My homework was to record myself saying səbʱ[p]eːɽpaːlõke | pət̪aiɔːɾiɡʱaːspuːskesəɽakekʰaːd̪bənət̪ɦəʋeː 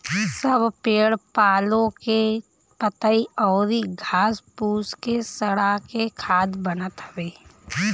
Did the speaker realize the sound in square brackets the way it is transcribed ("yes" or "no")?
yes